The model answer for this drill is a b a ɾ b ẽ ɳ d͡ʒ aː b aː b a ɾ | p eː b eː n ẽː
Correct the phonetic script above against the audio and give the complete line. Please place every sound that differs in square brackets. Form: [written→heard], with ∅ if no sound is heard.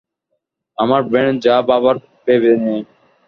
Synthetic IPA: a [b→m] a ɾ b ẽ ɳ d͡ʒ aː b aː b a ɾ | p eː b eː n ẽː

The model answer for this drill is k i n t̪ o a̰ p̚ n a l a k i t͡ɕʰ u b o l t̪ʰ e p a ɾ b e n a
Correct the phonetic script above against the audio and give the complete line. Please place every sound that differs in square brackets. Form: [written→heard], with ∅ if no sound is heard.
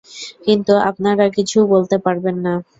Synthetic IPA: k i n t̪ [o→u] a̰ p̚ n a [l→ɾ] a k i t͡ɕʰ u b o l [t̪ʰ→t̪] e p a ɾ b e [n→nː] a

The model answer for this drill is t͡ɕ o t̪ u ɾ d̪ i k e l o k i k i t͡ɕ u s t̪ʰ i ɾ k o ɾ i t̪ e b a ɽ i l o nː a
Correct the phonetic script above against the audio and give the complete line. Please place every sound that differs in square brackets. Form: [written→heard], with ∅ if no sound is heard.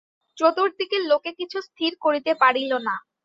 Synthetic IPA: t͡ɕ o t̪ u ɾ d̪ i k e l o k [i→e] k i [t͡ɕ→t͡ɕʰ] u s t̪ʰ i ɾ k o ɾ i t̪ e [b→p] a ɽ i l o [nː→n] a

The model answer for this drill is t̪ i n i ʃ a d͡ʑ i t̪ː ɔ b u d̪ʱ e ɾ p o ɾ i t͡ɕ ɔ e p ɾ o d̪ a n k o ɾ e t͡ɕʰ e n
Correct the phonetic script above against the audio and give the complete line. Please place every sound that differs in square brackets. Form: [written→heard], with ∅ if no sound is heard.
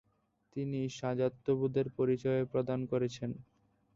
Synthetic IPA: t̪ i n i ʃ a d͡ʑ [i→a] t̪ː [ɔ→o] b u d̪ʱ e ɾ p o ɾ i t͡ɕ ɔ e p ɾ o d̪ a n k o ɾ e t͡ɕʰ e n

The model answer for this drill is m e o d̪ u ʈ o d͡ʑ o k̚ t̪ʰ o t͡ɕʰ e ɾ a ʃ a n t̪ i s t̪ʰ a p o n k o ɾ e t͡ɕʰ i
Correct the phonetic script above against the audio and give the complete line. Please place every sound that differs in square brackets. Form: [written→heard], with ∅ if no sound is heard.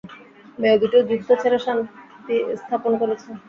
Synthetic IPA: m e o d̪ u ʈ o d͡ʑ [o→u] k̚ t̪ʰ o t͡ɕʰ e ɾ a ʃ a n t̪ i s t̪ʰ a p o n k o ɾ e t͡ɕʰ [i→e]

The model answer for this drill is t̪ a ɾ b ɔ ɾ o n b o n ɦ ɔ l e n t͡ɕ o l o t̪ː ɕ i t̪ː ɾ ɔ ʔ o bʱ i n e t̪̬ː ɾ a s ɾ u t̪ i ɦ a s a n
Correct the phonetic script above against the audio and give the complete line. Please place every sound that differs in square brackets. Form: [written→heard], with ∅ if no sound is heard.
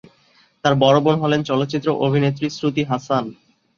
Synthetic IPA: t̪ a ɾ b ɔ ɾ o [n→∅] b o n ɦ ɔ l e n t͡ɕ [o→ɔ] l o t̪ː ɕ i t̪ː ɾ [ɔ→o] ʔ o bʱ i n e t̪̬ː ɾ [a→i] s ɾ u t̪ i ɦ a s a n

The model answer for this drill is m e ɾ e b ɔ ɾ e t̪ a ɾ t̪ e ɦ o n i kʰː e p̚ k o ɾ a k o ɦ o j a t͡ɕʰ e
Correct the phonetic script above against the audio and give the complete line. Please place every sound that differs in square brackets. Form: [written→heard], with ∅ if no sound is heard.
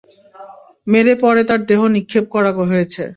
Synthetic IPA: m e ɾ e [b→p] ɔ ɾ e t̪ a ɾ [t̪→d̪] e ɦ o n i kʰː e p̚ k [o→ɔ] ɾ a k o ɦ o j [a→e] t͡ɕʰ e

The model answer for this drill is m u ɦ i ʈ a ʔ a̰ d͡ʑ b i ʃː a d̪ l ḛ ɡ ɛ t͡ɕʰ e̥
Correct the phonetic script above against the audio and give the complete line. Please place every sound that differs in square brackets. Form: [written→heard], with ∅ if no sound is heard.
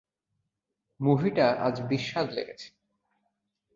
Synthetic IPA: m u ɦ i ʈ a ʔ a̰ d͡ʑ b i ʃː a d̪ l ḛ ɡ [ɛ→e] t͡ɕʰ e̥

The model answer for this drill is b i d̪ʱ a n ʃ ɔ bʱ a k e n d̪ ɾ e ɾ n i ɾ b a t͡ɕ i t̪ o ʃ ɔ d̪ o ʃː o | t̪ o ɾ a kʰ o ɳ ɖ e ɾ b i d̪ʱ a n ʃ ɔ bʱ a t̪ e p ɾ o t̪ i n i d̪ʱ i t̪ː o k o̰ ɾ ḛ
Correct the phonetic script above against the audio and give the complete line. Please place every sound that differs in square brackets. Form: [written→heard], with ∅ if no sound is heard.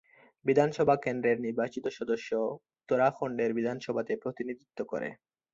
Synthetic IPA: b i d̪ʱ a n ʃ ɔ bʱ a k e n d̪ ɾ e ɾ n i ɾ b a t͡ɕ i t̪ o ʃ ɔ d̪ o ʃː o | t̪ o ɾ a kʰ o ɳ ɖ e ɾ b i d̪ʱ a n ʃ ɔ bʱ a t̪ e p ɾ o t̪ i n i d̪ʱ i t̪ː o k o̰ ɾ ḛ

